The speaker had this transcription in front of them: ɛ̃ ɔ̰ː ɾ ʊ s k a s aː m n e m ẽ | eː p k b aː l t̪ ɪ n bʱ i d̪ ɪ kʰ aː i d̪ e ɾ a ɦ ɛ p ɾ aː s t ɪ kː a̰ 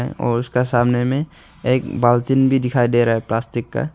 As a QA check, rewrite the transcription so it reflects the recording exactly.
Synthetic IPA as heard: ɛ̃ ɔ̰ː ɾ ʊ s k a s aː m n e m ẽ | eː k b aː l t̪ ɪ n bʱ i d̪ ɪ kʰ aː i d̪ e ɾ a ɦ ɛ p l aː s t ɪ kː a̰